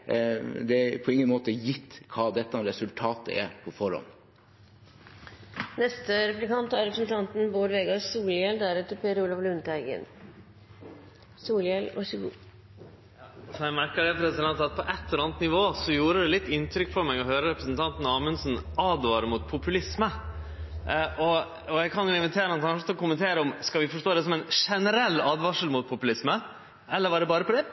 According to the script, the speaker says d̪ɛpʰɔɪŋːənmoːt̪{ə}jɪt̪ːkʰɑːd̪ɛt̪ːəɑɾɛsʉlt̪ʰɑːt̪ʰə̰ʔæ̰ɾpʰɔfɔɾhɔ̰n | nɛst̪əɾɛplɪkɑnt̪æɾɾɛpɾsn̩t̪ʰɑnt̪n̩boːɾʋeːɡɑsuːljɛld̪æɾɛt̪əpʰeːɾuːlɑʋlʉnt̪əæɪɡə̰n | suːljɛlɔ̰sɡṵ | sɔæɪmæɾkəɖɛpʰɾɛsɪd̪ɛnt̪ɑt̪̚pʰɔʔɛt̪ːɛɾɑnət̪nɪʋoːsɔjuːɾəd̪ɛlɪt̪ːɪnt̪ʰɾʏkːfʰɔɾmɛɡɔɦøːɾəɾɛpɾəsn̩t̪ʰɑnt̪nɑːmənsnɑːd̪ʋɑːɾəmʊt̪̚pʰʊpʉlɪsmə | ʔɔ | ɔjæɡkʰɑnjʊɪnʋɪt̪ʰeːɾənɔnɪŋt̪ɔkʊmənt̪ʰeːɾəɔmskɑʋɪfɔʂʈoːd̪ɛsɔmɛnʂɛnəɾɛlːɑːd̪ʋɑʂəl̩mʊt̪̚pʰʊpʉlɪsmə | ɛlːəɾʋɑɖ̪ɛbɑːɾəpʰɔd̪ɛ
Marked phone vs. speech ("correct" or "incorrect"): correct